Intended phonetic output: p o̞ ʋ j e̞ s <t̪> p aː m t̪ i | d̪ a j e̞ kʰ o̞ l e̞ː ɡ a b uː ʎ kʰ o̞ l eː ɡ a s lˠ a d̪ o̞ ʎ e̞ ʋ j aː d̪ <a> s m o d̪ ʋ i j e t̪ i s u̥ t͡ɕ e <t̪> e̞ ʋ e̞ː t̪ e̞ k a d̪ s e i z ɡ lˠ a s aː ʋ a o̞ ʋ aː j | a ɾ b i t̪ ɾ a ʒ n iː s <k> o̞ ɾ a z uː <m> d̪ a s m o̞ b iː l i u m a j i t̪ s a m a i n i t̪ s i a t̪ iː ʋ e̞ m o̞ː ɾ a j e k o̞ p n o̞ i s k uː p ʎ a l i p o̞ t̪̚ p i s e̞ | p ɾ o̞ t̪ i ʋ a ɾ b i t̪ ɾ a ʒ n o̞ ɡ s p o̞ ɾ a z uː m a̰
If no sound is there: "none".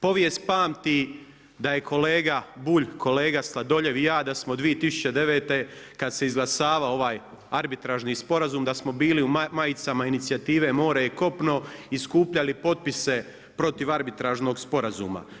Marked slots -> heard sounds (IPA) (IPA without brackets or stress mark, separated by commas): t̪, a, d̪, p, m